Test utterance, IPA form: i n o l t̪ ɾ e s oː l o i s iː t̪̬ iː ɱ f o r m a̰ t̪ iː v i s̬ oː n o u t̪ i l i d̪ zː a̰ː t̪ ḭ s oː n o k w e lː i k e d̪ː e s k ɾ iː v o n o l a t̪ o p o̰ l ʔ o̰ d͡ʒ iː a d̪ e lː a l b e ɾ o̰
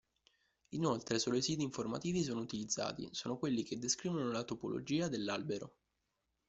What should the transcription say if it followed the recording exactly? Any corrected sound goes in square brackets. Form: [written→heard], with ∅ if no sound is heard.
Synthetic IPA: i n o l t̪ ɾ e s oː l o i s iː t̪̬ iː ɱ f o r m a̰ t̪ iː v i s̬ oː n o u t̪ i l i d̪ zː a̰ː t̪ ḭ s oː n o k w e lː i k e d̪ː e s k ɾ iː v o n o l a t̪ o p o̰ l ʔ o̰ d͡ʒ iː a d̪ e lː a l b e ɾ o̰